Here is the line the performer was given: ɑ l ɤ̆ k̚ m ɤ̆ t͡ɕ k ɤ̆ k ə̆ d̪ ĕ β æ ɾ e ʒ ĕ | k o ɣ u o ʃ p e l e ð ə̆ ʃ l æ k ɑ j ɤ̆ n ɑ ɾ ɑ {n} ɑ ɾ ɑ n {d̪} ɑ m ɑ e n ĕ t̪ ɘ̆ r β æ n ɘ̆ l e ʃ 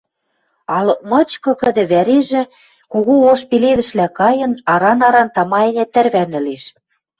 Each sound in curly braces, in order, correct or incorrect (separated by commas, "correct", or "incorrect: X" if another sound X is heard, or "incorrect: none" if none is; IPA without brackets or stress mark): correct, incorrect: t̪